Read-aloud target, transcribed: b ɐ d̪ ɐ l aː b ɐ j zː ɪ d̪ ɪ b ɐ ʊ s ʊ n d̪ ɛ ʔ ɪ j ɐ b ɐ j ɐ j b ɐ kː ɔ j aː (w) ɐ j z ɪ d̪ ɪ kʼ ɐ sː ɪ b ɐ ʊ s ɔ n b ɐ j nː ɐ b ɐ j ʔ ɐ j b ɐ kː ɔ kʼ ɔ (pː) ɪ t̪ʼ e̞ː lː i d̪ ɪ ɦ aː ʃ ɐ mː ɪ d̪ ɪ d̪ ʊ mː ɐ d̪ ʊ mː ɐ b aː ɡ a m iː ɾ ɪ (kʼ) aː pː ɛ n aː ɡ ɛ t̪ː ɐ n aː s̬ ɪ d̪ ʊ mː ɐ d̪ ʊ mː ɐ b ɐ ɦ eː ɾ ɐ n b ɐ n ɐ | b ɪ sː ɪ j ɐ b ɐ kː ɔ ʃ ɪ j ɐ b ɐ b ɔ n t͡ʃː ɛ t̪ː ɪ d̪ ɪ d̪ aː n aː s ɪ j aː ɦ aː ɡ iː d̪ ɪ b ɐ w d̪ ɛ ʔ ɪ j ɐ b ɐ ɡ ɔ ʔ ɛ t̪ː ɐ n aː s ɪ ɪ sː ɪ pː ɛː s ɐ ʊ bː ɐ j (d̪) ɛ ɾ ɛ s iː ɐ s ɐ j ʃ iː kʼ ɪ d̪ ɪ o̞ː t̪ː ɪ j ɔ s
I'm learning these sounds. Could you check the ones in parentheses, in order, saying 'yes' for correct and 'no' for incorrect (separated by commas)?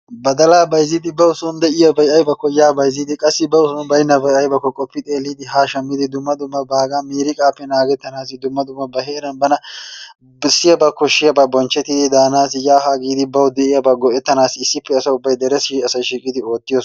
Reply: no, yes, yes, yes